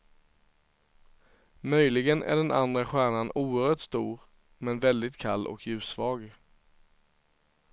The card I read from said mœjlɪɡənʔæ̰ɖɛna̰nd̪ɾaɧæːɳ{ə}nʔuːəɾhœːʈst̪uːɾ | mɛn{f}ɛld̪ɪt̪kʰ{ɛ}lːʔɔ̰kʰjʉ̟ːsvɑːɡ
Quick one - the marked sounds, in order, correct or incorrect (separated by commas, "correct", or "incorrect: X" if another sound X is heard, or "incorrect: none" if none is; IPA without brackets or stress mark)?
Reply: incorrect: a, incorrect: v, incorrect: a